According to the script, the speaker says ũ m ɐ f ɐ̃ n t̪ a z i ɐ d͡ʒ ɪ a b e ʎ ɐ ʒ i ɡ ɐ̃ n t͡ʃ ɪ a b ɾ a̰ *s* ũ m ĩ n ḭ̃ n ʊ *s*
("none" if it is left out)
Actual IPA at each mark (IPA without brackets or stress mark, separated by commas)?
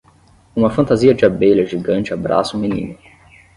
s, none